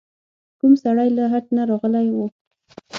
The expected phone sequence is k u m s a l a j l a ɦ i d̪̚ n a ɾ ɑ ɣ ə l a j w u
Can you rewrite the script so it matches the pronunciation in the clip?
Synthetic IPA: k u m s a ɽ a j l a ɦ a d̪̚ n a ɾ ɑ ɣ ə l a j w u